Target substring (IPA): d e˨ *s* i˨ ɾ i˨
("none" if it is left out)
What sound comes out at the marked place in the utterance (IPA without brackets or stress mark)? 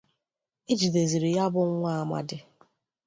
z